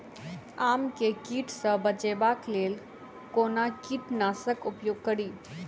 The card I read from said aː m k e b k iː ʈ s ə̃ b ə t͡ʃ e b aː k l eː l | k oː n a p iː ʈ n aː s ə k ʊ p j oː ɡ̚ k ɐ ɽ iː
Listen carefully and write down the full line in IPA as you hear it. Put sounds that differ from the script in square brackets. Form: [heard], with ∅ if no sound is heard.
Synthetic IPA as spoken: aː m k e [∅] k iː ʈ s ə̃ b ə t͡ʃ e b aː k l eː l | k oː n a [k] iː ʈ n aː s ə k ʊ p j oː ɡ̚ k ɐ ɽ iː